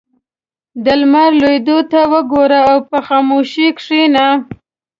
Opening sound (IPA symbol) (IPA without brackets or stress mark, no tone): d̪